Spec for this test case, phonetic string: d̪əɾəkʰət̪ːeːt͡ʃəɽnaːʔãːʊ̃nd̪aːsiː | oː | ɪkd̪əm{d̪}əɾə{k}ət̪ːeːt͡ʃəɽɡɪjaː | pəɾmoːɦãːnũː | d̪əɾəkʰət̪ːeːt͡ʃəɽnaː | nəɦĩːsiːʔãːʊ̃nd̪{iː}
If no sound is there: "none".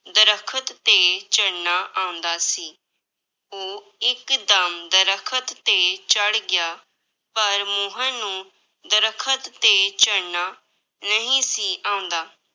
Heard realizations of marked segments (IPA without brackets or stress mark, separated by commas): d̪, kʰ, aː